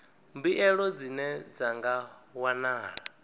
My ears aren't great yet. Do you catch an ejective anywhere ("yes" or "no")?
no